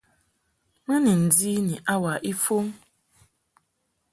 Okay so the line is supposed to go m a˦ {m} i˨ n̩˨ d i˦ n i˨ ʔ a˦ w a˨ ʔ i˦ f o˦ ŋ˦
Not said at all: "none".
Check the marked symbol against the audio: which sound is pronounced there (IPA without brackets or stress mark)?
n